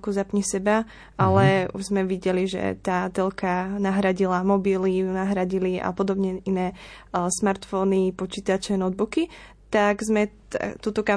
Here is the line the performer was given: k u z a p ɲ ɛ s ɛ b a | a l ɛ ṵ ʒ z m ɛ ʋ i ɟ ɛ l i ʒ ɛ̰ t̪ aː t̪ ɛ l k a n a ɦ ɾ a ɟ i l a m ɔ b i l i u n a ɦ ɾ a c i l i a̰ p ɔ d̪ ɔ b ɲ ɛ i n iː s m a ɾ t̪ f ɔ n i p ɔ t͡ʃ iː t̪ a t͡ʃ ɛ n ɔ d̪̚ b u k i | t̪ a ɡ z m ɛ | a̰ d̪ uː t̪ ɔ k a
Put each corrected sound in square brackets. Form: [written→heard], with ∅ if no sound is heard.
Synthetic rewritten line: k u z a p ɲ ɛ s ɛ b a | a l ɛ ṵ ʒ z m ɛ ʋ i ɟ ɛ l i ʒ ɛ̰ t̪ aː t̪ ɛ l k a n a ɦ ɾ a ɟ i l a m ɔ b i l i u n a ɦ ɾ a [c→ɟ] i l i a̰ p ɔ d̪ ɔ b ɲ ɛ i n [iː→ɛː] s m a ɾ t̪ f ɔ n i p ɔ t͡ʃ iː t̪ a t͡ʃ ɛ n ɔ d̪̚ b u k i | t̪ a ɡ z m ɛ | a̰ [d̪→t̪] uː t̪ ɔ k a